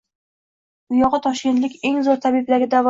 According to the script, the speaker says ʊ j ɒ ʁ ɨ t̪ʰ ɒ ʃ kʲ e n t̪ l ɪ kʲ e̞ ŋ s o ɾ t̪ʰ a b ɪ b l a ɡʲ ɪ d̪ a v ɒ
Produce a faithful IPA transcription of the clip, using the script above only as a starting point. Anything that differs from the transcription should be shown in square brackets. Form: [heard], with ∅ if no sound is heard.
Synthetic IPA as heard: ʊ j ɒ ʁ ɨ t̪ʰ ɒ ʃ kʲ e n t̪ l ɪ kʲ e̞ ŋ [z] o ɾ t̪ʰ a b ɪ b l a ɡʲ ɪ d̪ a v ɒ